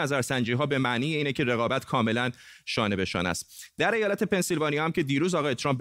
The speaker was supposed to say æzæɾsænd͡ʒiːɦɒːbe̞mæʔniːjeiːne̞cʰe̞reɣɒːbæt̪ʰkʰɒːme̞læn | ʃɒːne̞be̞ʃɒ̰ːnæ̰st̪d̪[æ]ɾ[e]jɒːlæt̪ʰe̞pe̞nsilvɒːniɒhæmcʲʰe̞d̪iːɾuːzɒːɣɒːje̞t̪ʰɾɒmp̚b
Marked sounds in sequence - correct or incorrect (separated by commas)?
correct, correct